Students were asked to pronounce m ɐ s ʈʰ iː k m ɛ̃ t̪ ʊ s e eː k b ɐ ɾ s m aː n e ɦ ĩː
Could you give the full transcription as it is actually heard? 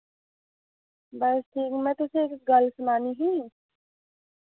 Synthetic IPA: b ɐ s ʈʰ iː k m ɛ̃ t̪ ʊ s e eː k ɡ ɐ l s m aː n i ɦ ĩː